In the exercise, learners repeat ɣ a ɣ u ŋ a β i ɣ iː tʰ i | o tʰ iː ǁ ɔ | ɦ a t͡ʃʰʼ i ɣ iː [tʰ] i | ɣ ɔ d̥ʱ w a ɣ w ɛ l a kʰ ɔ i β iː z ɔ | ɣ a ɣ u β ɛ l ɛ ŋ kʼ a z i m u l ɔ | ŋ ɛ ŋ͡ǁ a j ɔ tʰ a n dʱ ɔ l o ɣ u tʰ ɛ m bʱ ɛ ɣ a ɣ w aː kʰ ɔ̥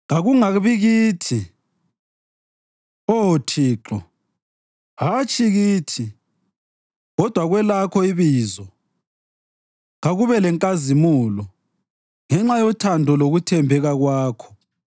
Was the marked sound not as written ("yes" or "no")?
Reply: no